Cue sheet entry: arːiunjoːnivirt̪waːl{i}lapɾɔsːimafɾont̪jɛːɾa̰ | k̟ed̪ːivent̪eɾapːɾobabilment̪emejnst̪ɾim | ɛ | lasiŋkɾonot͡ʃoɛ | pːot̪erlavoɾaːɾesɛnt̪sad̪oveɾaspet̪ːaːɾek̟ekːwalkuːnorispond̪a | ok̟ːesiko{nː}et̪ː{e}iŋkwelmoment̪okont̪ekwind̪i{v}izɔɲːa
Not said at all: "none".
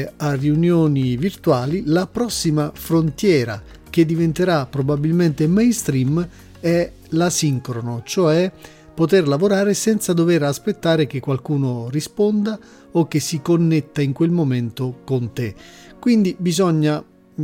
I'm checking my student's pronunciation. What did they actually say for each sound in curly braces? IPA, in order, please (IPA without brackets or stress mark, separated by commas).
i, nː, a, b